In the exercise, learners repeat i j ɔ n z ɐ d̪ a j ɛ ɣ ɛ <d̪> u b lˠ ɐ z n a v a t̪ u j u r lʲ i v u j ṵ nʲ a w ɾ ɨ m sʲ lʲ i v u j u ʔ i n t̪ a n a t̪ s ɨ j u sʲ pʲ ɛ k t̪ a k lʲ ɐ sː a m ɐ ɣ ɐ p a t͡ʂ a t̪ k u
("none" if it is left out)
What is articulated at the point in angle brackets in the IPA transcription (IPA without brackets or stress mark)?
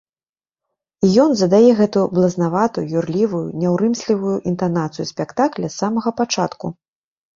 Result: t̪